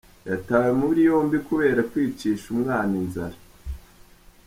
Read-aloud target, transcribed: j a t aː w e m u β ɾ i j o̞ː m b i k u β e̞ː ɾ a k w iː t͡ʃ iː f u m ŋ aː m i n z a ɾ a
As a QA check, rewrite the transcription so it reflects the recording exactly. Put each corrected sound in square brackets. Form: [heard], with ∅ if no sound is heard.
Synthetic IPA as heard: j a t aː w e m u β ɾ i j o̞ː m b i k u β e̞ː ɾ a k w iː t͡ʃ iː [ʃ] u m ŋ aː [n] i n z a ɾ a